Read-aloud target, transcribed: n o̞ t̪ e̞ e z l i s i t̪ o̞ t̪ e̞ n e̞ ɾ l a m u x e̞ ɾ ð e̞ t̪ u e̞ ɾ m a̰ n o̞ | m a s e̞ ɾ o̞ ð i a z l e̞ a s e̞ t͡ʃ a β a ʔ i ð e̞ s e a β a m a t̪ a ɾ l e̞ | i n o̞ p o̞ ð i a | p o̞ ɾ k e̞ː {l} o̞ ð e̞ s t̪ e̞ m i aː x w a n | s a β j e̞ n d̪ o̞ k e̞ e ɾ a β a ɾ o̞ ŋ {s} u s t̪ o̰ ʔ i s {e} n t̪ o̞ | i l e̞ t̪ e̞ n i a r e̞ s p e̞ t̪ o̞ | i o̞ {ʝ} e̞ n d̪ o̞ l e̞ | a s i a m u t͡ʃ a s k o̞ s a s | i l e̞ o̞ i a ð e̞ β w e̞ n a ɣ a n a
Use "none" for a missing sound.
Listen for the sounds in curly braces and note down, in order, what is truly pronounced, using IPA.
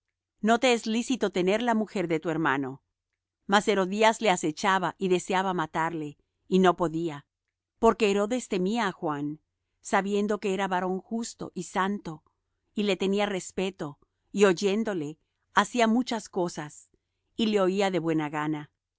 ɾ, x, a, ʝ

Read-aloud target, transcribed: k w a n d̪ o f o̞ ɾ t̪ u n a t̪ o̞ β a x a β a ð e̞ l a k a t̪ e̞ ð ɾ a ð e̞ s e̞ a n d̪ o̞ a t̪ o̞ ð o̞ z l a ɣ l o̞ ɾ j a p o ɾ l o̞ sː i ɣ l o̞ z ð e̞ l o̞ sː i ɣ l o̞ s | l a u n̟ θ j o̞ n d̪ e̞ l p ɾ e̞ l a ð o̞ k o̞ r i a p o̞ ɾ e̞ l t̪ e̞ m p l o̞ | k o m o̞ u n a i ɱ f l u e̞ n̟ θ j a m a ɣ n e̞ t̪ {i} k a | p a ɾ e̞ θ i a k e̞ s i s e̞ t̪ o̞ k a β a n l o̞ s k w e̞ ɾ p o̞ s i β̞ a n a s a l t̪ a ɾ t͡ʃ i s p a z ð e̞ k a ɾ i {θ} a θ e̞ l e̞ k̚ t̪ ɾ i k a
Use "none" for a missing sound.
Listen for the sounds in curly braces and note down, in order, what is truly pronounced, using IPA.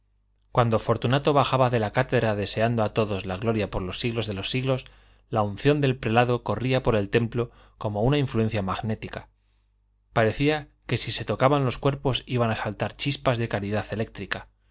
i, ð

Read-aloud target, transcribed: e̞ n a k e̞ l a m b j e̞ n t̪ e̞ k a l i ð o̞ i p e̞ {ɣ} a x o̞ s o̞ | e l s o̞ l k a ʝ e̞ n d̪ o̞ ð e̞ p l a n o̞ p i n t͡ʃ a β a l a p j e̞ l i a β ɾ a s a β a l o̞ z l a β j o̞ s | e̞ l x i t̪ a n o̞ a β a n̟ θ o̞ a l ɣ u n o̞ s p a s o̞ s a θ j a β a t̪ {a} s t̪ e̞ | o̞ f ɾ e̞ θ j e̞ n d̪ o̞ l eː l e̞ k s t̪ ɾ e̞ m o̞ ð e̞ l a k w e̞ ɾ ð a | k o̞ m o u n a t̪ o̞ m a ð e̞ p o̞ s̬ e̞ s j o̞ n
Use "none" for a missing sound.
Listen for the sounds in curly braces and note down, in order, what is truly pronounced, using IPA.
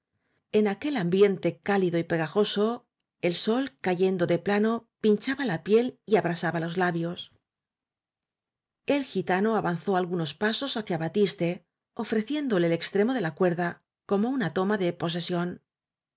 ɣ, i

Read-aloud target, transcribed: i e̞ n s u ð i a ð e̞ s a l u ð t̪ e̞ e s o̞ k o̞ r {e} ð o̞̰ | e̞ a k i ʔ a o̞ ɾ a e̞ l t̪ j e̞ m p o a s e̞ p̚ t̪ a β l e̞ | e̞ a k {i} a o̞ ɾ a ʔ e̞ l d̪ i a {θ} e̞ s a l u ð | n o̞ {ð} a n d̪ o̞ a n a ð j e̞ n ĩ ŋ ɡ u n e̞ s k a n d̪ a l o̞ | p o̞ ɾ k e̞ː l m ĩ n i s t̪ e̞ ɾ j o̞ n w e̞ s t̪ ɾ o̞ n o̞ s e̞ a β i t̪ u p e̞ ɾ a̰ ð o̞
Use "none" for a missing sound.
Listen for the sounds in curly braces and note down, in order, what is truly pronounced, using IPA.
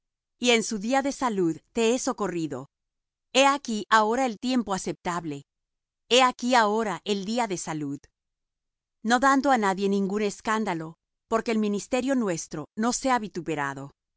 i, i, ð, ð

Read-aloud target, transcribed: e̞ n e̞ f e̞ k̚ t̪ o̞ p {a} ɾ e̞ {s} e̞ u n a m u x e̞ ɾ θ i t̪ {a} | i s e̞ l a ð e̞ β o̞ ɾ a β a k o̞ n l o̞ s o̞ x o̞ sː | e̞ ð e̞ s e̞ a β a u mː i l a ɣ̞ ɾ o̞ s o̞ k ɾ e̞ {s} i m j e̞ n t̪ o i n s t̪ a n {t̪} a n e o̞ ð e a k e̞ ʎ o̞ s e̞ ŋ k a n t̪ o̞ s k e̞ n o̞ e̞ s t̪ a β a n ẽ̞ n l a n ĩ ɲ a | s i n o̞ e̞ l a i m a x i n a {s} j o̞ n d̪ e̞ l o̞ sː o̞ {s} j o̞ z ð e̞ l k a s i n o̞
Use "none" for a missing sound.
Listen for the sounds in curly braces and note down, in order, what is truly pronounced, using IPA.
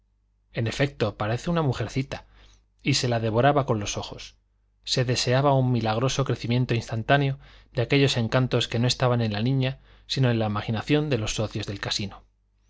a, θ, a, θ, t̪, θ, θ

